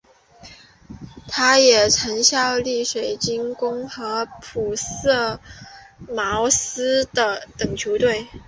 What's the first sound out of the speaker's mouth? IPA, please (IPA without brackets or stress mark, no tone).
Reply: t̪ʰ